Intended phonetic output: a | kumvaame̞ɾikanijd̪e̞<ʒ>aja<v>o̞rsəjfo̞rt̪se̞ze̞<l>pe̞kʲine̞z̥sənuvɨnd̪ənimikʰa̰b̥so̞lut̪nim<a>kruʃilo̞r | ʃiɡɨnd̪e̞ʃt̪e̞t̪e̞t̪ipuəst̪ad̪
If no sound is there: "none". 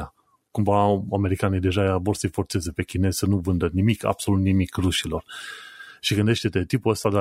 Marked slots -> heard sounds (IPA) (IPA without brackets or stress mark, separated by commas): ʒ, v, none, i